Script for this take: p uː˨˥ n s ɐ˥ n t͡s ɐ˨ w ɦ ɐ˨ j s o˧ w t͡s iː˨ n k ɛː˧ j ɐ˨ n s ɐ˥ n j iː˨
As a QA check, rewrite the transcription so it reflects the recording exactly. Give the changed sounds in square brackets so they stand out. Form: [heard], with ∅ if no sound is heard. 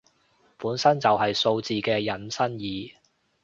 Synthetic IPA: p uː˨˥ n s ɐ˥ n t͡s ɐ˨ w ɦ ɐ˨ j s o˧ w t͡s iː˨ [∅] k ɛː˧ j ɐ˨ n s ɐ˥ n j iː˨

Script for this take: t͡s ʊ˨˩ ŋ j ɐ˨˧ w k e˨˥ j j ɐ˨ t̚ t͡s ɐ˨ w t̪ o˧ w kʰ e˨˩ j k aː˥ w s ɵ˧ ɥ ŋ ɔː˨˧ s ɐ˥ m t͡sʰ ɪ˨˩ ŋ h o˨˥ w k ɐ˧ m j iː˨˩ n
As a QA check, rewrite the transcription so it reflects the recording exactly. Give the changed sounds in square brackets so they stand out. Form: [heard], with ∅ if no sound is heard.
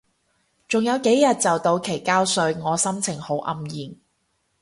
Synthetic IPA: t͡s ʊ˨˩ ŋ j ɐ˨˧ w k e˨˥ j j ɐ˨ t̚ t͡s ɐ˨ w t̪ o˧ w kʰ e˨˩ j k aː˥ w s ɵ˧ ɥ ŋ ɔː˨˧ s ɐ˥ m t͡sʰ ɪ˨˩ ŋ h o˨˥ w [ʔ] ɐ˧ m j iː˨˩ n

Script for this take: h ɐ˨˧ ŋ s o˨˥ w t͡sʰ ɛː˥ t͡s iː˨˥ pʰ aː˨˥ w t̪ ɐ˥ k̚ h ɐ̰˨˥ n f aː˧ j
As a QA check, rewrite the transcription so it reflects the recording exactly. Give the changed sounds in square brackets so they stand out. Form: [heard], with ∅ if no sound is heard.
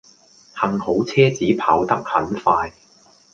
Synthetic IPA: h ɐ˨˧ ŋ [h] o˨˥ w t͡sʰ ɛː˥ t͡s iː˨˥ pʰ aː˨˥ w t̪ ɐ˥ k̚ h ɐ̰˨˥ n f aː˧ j

